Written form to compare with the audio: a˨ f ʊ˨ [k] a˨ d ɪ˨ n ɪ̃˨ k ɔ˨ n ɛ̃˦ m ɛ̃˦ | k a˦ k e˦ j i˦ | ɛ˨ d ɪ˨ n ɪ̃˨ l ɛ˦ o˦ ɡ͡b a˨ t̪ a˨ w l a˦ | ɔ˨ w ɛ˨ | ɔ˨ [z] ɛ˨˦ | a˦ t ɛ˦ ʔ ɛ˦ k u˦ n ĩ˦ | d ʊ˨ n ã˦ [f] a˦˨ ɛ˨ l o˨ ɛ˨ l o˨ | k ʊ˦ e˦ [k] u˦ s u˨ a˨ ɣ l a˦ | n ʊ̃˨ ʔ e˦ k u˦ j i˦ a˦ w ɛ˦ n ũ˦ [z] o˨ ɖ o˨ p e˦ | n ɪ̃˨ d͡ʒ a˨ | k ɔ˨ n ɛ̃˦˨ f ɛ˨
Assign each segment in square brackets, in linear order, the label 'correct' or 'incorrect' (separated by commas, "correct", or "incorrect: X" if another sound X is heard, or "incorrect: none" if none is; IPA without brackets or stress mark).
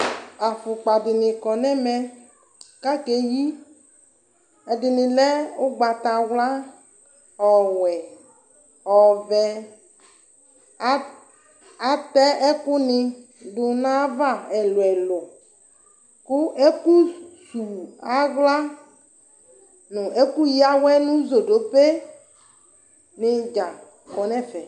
incorrect: k͡p, incorrect: v, incorrect: v, correct, correct